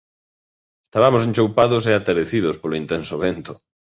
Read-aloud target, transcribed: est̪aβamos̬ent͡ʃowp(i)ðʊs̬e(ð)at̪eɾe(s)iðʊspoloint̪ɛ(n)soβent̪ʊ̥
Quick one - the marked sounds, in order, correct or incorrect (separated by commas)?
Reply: incorrect, incorrect, incorrect, correct